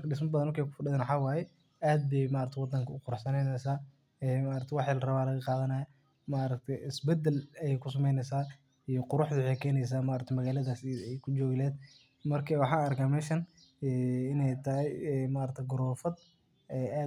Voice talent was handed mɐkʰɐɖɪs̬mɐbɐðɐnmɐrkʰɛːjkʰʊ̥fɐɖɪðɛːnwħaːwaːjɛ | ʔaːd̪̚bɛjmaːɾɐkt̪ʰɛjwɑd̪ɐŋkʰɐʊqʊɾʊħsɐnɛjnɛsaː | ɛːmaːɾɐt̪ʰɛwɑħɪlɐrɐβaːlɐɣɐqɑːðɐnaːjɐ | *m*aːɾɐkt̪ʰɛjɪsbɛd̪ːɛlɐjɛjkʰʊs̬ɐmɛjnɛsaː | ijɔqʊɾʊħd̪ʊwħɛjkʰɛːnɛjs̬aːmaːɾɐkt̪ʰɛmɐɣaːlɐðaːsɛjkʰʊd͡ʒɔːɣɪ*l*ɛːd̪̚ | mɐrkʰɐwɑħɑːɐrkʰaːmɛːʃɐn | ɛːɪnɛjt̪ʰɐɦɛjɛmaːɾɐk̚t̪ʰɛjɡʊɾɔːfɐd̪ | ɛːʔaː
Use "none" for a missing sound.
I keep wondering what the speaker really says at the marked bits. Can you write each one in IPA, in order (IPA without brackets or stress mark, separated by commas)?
m, l